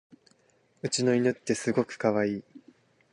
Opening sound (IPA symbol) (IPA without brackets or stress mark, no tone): ɯ̟